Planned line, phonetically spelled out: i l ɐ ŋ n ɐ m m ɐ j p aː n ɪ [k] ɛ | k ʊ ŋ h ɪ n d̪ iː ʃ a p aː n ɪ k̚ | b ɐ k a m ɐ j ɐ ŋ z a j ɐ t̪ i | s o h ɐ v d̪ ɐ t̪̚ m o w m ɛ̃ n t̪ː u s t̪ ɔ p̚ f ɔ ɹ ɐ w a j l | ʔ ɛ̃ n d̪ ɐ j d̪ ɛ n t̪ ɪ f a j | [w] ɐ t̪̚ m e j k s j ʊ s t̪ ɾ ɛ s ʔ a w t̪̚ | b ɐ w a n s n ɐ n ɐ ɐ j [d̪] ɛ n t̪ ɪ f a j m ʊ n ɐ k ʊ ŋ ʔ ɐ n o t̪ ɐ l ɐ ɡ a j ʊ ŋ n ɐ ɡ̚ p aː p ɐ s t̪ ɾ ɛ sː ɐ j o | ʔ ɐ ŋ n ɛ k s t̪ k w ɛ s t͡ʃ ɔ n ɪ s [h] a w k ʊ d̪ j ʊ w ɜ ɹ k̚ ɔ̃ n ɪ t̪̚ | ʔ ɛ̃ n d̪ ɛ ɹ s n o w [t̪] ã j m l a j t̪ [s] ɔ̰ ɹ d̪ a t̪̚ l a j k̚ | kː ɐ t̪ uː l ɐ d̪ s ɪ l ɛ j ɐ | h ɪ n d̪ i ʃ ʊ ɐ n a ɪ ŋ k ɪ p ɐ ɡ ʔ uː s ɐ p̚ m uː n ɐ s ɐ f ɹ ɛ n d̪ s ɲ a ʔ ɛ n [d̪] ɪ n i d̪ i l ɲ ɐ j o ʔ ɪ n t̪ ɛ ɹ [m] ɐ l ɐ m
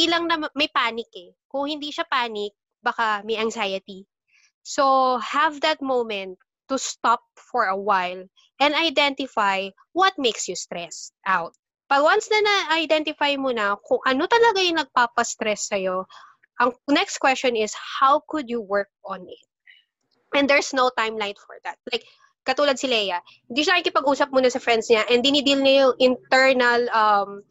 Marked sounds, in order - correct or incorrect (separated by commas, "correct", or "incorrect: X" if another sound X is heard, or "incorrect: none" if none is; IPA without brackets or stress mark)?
correct, correct, correct, correct, correct, incorrect: f, correct, incorrect: n